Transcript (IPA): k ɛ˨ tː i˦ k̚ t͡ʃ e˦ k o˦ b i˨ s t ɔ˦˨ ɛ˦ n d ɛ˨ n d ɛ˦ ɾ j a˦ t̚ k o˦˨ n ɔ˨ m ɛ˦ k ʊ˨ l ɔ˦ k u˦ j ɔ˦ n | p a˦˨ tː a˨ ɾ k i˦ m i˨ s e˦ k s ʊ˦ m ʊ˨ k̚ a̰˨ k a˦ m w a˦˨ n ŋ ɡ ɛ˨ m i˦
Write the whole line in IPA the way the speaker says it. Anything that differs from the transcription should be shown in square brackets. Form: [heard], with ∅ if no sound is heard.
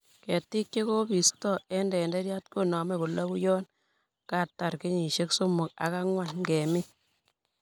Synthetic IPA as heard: k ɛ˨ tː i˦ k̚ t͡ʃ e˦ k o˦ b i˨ s t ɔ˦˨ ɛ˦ n d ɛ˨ n d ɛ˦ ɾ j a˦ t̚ k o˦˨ n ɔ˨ m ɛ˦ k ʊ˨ l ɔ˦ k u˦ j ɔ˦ n | [k] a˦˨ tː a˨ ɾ k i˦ [ɲ] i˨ [ʃ] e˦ k s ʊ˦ m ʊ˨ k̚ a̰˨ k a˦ [ŋ] w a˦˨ n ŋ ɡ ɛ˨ m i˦